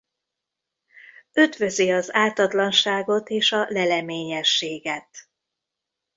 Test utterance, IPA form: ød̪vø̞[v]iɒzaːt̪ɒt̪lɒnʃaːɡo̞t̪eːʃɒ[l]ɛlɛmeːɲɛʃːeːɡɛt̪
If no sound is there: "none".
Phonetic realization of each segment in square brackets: z, l

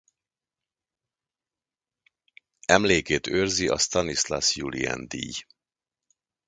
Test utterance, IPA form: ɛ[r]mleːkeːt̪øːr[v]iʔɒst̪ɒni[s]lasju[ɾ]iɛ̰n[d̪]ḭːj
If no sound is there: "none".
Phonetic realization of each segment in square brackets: none, z, s, l, d̪

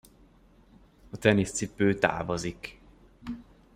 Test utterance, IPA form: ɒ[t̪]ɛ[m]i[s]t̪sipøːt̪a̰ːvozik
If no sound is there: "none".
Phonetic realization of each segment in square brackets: t̪, n, s

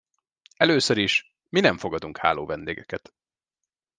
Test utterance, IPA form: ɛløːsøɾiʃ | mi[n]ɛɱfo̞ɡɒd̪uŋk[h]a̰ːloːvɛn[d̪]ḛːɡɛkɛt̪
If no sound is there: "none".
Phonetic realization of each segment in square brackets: n, h, d̪

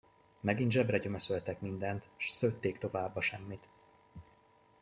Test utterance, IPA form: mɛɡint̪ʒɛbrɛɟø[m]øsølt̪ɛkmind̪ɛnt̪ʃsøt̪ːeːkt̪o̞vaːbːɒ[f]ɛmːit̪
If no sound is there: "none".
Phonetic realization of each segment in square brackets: m, ʃ

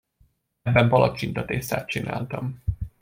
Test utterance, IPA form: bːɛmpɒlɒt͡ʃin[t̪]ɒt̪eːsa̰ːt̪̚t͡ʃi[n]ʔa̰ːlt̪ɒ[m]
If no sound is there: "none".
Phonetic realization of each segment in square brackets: t̪, n, m

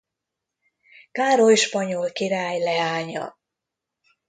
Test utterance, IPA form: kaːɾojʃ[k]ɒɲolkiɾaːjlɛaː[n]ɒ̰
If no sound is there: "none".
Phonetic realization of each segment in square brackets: p, ɲ

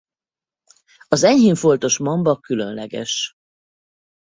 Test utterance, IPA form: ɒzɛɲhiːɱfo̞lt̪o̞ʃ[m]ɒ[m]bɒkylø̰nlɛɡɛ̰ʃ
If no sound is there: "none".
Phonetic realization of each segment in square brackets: m, m

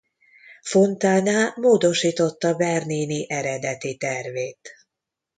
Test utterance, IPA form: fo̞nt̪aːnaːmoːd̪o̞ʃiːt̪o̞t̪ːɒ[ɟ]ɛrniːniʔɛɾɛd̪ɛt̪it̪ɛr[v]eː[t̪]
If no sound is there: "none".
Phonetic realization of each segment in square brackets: b, v, t̪

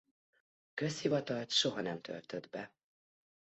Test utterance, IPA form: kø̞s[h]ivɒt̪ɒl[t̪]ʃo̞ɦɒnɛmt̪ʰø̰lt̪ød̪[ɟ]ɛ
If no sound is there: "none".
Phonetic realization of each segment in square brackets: h, t̪, b

